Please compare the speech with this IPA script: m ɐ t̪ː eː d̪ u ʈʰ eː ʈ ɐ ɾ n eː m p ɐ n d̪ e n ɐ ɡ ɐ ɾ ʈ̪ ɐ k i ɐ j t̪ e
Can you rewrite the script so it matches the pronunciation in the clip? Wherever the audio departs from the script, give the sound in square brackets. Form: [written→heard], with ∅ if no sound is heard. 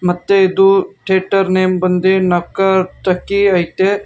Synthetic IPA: m ɐ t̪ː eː d̪ u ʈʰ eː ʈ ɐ ɾ n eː m [p→b] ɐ n d̪ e n ɐ [ɡ→k] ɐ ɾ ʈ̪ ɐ k i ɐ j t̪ e